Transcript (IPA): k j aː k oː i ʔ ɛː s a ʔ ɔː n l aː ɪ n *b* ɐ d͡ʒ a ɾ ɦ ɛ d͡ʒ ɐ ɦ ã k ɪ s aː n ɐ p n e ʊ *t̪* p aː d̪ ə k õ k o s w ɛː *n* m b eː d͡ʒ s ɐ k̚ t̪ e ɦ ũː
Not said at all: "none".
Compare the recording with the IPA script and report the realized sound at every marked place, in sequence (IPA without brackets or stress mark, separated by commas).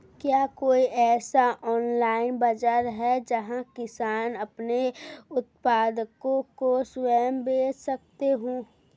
b, t̪, none